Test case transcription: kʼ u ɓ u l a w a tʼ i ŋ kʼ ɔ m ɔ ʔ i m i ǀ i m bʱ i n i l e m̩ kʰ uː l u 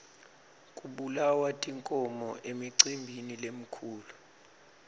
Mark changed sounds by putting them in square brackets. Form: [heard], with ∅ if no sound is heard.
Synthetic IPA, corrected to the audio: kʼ u ɓ u l a w a tʼ i ŋ kʼ ɔ m ɔ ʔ [e] m i ǀ i m bʱ i n i l e m̩ kʰ uː l u

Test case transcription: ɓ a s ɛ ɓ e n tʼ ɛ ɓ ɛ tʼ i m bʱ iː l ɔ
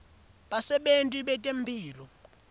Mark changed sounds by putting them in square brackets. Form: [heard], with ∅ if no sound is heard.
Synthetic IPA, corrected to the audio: ɓ a s ɛ ɓ e n tʼ [i] ɓ ɛ tʼ [e] m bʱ iː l ɔ

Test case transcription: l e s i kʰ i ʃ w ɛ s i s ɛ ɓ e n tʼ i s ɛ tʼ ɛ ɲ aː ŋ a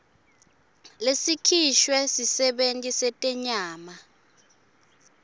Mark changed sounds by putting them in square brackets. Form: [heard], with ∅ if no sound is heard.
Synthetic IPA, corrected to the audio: l e s i kʰ i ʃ w ɛ s i s ɛ ɓ e n tʼ i s ɛ tʼ ɛ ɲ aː [m] a

